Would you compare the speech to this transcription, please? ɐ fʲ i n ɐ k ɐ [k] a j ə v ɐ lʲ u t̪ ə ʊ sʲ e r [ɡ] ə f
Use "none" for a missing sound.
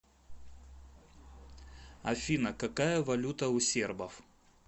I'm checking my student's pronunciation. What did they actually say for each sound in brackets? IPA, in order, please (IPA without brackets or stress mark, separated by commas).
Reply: k, b